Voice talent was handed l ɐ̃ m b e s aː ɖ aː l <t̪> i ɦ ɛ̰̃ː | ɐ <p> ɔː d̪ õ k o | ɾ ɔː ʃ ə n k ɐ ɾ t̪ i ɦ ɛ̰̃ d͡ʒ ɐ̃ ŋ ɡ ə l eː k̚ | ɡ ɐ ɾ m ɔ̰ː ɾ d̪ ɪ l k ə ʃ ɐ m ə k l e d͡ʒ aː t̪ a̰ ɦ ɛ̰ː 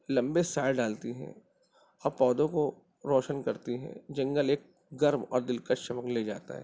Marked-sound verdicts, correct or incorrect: correct, correct

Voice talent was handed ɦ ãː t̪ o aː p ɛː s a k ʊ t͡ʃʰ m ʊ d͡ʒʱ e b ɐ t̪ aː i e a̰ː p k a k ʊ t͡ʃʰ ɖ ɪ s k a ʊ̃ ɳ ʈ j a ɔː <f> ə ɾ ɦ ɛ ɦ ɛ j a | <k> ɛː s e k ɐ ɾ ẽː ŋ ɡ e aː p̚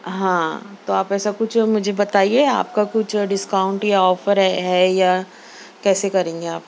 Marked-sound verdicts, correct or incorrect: correct, correct

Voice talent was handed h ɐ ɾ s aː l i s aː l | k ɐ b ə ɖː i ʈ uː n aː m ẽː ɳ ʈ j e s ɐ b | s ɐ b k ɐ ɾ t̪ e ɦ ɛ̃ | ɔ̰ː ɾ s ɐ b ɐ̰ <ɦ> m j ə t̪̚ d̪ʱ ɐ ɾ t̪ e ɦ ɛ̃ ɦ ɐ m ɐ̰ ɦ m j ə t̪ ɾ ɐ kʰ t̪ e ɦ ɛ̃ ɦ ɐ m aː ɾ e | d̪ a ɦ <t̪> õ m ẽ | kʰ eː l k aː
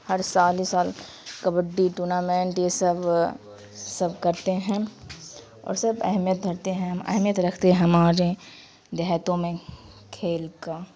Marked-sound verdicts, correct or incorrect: correct, correct

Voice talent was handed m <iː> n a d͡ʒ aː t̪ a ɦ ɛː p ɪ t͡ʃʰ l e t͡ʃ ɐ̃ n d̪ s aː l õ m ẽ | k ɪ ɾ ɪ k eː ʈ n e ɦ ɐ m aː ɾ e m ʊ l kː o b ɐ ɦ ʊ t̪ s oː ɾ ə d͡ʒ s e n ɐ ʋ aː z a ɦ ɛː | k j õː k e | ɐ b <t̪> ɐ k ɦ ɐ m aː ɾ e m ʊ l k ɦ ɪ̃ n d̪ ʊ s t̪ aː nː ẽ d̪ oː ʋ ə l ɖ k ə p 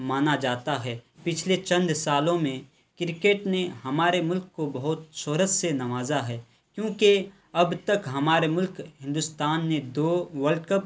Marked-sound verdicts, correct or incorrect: incorrect: aː, correct

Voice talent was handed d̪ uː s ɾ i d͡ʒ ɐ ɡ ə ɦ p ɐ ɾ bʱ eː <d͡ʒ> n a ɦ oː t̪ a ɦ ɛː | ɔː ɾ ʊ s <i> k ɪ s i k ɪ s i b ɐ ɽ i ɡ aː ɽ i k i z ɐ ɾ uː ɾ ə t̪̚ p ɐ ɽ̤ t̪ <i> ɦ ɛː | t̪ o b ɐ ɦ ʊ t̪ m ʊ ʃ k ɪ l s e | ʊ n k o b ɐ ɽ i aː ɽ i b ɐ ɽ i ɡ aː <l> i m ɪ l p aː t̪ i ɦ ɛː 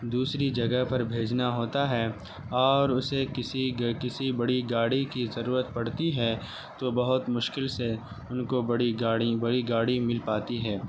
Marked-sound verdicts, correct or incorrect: correct, incorrect: e, correct, incorrect: ɽ

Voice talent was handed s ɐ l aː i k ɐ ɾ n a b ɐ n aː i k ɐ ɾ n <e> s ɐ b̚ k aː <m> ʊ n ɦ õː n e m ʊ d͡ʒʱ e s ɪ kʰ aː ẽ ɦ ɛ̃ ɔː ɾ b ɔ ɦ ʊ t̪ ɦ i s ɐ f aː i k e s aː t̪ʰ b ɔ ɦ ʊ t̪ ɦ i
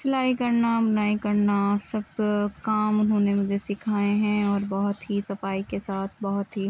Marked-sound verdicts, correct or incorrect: incorrect: a, correct

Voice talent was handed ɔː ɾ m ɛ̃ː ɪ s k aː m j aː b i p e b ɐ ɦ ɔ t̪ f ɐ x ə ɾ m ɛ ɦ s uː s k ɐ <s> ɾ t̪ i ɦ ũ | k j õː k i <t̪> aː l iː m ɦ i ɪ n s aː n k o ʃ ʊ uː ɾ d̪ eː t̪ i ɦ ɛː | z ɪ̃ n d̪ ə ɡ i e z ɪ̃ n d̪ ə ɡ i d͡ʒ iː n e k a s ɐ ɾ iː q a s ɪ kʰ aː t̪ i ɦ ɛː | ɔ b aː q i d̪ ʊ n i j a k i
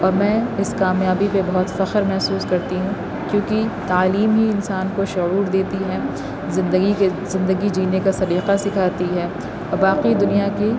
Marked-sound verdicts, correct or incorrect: incorrect: none, correct

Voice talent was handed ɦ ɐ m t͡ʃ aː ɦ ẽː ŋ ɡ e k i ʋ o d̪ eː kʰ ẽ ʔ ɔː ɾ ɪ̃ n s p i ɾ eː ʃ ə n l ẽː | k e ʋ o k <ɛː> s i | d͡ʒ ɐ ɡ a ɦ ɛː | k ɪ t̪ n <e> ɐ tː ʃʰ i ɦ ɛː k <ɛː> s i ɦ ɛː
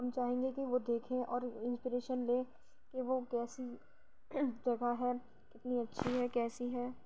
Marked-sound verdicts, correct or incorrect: correct, incorrect: i, correct

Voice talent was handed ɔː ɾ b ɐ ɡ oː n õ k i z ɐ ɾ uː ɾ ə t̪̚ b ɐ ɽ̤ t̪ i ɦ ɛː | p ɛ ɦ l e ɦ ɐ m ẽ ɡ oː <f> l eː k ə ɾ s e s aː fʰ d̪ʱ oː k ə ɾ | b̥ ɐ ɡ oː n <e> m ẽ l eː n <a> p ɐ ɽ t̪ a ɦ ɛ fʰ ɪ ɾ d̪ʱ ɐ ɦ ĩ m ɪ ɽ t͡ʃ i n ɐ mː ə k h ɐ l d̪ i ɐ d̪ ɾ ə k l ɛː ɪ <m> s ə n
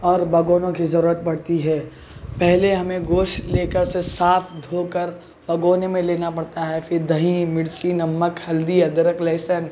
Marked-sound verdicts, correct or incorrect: incorrect: ʃ, correct, correct, incorrect: none

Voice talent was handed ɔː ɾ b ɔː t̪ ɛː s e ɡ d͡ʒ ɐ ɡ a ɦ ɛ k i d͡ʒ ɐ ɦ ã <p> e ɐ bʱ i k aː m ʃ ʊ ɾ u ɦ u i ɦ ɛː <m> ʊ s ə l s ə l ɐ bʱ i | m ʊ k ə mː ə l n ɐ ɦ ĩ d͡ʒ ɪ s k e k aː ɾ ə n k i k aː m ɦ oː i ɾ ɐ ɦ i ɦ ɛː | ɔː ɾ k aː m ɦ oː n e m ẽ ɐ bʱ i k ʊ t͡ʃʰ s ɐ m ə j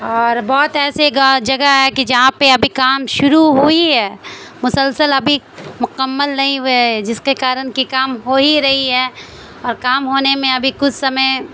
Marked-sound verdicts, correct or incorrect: correct, correct

